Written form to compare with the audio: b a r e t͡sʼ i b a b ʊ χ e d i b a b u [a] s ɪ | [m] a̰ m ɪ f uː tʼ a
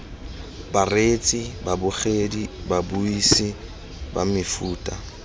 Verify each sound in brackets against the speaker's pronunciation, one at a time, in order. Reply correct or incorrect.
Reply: incorrect: i, incorrect: b

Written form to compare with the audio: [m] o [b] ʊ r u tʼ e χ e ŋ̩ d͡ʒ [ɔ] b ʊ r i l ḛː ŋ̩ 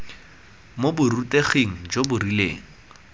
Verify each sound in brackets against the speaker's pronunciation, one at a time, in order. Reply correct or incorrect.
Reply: correct, correct, incorrect: o

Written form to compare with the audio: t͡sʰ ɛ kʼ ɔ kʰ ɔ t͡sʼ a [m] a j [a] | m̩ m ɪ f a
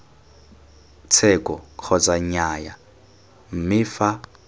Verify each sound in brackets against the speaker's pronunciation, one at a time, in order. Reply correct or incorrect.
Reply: incorrect: ɲ, correct

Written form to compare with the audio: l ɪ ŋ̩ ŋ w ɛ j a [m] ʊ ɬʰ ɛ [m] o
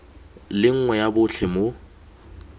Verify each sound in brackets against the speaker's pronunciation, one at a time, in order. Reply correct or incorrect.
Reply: incorrect: b, correct

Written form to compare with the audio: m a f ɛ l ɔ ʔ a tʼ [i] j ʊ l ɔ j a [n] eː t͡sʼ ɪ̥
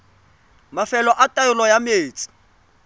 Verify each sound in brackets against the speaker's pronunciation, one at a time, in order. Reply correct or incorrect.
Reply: incorrect: a, incorrect: m

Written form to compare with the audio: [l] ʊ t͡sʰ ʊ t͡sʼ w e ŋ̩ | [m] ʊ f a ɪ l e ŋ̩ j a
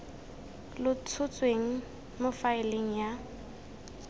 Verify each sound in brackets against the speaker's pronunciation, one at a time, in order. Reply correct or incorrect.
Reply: correct, correct

